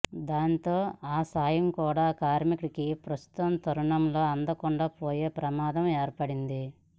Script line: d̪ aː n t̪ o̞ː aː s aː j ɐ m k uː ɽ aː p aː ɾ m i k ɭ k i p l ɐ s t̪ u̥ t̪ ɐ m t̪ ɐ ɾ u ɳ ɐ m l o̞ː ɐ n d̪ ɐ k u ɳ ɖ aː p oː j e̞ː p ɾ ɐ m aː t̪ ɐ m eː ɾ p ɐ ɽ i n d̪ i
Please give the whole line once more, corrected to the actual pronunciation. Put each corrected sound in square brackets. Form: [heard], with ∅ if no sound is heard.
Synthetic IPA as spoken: d̪ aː n t̪ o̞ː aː s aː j ɐ m k uː ɽ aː [k] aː ɾ m i k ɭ k i p [ɾ] ɐ s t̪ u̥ t̪ ɐ m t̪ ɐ ɾ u ɳ ɐ m l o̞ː ɐ n d̪ ɐ k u ɳ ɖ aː p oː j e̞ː p ɾ ɐ m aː [d̪] ɐ m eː ɾ p ɐ ɽ i n d̪ i